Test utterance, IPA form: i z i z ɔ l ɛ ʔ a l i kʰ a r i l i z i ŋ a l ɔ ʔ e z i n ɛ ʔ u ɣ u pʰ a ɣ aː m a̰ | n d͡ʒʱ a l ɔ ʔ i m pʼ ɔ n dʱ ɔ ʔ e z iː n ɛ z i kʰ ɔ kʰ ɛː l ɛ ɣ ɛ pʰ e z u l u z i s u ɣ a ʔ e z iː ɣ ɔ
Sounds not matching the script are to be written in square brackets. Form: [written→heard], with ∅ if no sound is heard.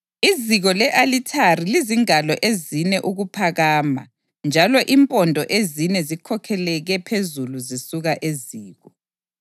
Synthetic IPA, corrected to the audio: i z i [z→ɣ] ɔ l ɛ ʔ a l i [kʰ→tʰ] a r i l i z i ŋ a l ɔ ʔ e z i n ɛ ʔ u ɣ u pʰ a ɣ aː m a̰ | n d͡ʒʱ a l ɔ ʔ i m pʼ ɔ n dʱ ɔ ʔ e z [iː→i] n ɛ z i kʰ ɔ kʰ [ɛː→ɛ] l ɛ ɣ ɛ pʰ e z u l u z i s u ɣ a ʔ e z iː ɣ ɔ

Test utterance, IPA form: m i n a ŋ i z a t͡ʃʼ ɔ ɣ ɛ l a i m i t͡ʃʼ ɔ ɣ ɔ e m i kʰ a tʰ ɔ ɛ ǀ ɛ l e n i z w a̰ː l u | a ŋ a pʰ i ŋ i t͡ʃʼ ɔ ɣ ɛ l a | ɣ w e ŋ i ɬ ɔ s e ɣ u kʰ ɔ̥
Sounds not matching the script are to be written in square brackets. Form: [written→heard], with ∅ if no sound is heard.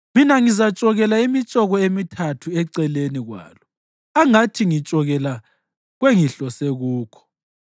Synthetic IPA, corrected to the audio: m i n a ŋ i z a t͡ʃʼ ɔ ɣ ɛ l a i m i t͡ʃʼ ɔ ɣ ɔ e m i [kʰ→tʰ] a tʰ [ɔ→u] ɛ ǀ ɛ l e n i [z→ɣ] w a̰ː l [u→ɔ] | a ŋ a [pʰ→tʰ] i ŋ i t͡ʃʼ ɔ ɣ ɛ l a | ɣ w e ŋ i ɬ ɔ s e ɣ [u→uː] kʰ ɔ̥

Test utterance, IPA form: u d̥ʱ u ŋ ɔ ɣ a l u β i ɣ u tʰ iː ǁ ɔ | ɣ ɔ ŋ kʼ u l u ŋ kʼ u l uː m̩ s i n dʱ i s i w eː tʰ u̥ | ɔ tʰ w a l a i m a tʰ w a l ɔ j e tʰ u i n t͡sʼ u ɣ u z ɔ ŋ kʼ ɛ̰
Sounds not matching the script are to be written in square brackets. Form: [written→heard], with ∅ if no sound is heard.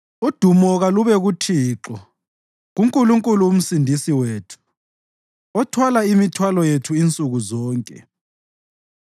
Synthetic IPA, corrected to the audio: u d̥ʱ u [ŋ→m] ɔ ɣ a l u β [i→ɛ] ɣ u tʰ iː ǁ ɔ | ɣ [ɔ→u] ŋ kʼ u l u ŋ kʼ u l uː m̩ s i n dʱ i s i w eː tʰ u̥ | ɔ tʰ w a l a i m [a→i] tʰ w a l ɔ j e tʰ u i n t͡sʼ u ɣ u z [ɔ→ɔː] ŋ kʼ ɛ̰

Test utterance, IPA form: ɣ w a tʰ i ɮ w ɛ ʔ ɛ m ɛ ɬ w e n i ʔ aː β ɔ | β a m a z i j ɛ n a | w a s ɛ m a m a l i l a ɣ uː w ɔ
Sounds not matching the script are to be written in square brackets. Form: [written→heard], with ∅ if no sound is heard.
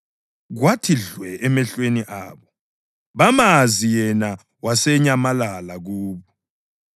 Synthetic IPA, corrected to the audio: ɣ w a tʰ i ɮ w ɛ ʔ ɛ m ɛ ɬ w e n i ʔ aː β ɔ | β a m a z i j ɛ n a | w a s ɛ [m→ɲ] a m a l [i→a] l a ɣ uː [w→β] ɔ

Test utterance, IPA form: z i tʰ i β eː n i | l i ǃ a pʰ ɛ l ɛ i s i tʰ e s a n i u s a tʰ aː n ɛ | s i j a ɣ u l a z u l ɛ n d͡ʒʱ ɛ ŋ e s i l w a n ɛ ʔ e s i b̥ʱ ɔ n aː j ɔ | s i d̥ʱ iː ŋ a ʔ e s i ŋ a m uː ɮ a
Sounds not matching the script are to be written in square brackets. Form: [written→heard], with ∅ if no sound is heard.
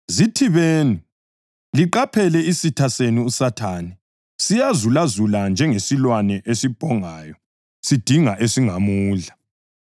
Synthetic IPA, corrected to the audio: z i tʰ i β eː n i | l i ǃ a pʰ ɛ l ɛ i s i tʰ [e→a] s [a→e] n i u s a tʰ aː n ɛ | s i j a [ɣ→z] u l a z u l [ɛ→a] n d͡ʒʱ ɛ ŋ e s i l w a n ɛ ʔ e s i b̥ʱ ɔ [n→ŋ] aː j ɔ | s i d̥ʱ [iː→i] ŋ a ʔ e s i ŋ a m uː ɮ a

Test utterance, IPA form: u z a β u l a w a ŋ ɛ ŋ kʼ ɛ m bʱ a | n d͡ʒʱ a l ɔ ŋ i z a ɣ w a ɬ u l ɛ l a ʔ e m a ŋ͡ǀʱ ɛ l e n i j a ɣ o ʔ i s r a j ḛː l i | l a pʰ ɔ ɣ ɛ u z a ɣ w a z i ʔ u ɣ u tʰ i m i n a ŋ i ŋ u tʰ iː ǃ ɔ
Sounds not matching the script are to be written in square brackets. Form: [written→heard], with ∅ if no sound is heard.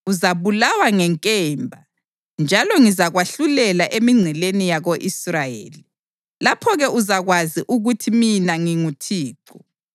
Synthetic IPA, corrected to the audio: u z a β u l a w a ŋ ɛ ŋ kʼ ɛ m bʱ a | n d͡ʒʱ a l ɔ ŋ i z a ɣ w a ɬ u l ɛ l a ʔ e m [a→i] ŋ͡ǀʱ ɛ l e n i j a ɣ o ʔ i s r a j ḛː l i | l a pʰ ɔ ɣ ɛ u z a ɣ w a z i ʔ u ɣ u tʰ i m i n a ŋ i ŋ u tʰ iː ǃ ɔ

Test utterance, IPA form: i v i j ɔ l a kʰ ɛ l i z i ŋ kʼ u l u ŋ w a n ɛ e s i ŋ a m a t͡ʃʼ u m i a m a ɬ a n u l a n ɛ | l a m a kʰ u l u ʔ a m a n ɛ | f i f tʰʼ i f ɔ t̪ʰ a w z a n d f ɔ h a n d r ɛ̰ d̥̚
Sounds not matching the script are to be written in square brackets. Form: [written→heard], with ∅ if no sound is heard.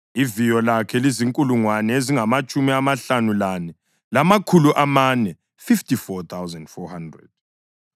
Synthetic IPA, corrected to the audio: i v i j ɔ l a kʰ ɛ l i z i ŋ kʼ u l u ŋ w a n ɛ e [s→z] i ŋ a m a t͡ʃʼ u m i a m a ɬ a n u l a n ɛ | l a m a kʰ u l u ʔ a m a n ɛ | f i f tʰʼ i f ɔ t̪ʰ a w z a n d f ɔ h a n d r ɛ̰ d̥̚

